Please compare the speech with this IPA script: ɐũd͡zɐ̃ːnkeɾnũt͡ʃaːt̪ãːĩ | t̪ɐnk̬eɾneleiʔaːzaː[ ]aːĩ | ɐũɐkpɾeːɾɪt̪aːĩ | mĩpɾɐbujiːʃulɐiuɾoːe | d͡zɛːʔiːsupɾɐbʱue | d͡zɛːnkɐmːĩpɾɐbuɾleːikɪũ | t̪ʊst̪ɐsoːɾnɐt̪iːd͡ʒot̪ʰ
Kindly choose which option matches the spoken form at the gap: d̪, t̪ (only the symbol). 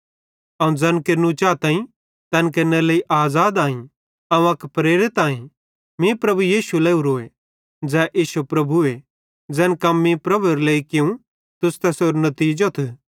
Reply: d̪